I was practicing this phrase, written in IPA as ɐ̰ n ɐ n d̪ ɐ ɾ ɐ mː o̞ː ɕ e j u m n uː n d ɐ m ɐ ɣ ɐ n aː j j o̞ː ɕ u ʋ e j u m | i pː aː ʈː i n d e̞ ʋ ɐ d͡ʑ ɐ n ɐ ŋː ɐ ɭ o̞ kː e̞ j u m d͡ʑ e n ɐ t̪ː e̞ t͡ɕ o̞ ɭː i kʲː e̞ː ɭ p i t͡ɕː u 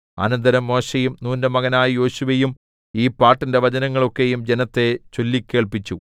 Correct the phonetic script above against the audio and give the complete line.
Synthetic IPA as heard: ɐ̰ n ɐ n d̪ ɐ ɾ ɐ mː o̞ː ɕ e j u m n uː n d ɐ m ɐ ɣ ɐ n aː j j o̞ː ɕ u ʋ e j u m | iː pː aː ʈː i n d e̞ ʋ ɐ d͡ʑ ɐ n ɐ ŋː ɐ ɭ o̞ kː e̞ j u m d͡ʑ e n ɐ t̪ː e̞ t͡ɕ o̞ lː i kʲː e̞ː ɭ p i t͡ɕː u